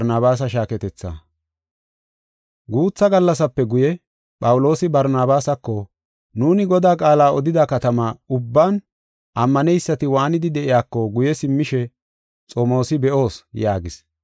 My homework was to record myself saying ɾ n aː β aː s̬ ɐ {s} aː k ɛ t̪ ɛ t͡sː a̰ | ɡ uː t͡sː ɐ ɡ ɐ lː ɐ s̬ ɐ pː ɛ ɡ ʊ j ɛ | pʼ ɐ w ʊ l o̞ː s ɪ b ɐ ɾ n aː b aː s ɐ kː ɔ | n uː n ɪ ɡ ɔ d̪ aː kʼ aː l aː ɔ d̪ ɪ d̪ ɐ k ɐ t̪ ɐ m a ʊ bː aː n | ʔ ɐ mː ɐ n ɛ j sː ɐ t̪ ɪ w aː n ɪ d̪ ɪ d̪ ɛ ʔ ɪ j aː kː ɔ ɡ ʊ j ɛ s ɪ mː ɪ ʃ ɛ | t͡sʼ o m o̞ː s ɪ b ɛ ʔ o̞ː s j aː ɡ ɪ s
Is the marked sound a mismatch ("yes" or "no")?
yes